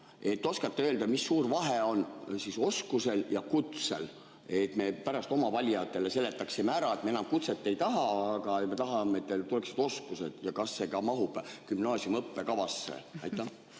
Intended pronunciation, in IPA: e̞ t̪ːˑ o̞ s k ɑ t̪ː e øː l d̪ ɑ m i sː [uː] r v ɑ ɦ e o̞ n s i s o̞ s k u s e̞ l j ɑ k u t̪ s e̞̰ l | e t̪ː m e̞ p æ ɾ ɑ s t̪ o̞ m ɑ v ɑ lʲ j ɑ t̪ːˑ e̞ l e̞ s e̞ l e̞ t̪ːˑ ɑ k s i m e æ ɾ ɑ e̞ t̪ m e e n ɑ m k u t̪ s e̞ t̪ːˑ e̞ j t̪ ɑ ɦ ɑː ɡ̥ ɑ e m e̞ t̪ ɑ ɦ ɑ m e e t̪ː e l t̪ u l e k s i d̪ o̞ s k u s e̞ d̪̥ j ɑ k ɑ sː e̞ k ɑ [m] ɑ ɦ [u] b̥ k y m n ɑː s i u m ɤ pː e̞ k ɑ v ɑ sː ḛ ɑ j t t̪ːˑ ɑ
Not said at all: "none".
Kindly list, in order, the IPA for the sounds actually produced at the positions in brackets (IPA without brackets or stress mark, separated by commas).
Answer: uː, m, u